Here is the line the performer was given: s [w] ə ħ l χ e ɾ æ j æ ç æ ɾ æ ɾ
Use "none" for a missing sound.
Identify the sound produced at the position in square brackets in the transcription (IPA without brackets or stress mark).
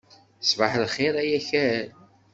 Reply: v